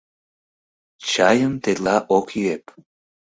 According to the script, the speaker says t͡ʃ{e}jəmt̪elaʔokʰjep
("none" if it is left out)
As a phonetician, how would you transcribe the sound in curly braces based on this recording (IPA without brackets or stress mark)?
a